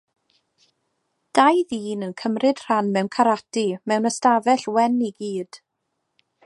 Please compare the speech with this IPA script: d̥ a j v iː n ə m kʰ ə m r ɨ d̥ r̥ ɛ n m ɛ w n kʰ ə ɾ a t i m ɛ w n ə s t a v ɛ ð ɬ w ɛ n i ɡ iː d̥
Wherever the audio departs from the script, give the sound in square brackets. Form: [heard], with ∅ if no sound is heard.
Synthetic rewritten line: d̥ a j [ð] iː n ə [n] kʰ ə m r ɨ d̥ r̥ [a] n m ɛ w n kʰ [a] ɾ a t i m ɛ w n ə s t a v ɛ [∅] ɬ w ɛ n i ɡ iː d̥